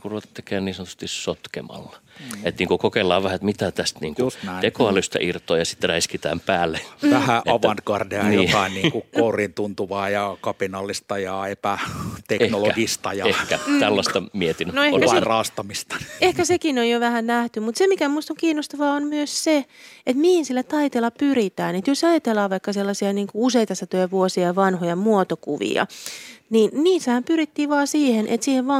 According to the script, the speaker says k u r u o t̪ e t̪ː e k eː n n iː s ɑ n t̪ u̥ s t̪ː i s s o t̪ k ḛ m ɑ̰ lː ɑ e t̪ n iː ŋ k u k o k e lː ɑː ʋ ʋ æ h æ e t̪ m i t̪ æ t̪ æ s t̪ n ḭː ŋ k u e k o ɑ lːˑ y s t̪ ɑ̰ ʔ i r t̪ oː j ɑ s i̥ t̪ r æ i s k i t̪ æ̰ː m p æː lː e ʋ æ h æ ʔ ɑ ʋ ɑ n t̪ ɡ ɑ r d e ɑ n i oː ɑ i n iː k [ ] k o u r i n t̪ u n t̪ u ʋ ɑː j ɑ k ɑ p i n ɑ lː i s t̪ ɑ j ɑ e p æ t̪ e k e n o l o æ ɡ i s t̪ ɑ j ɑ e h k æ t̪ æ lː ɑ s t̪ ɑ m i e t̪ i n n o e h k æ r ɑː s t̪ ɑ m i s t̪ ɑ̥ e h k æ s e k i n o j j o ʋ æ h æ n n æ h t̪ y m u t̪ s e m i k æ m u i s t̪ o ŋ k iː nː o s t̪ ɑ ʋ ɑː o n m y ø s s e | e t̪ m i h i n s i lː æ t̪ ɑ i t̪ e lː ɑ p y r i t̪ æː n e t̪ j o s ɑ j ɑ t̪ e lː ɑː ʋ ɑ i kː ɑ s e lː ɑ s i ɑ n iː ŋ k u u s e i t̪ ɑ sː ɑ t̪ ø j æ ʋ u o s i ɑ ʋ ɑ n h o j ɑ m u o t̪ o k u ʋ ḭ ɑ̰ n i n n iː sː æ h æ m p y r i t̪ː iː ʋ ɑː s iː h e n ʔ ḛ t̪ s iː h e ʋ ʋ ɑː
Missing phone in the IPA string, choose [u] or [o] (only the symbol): u